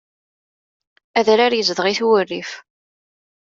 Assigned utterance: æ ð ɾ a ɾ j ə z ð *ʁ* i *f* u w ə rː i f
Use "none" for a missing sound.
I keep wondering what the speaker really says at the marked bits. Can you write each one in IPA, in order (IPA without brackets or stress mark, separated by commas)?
ʁ, θ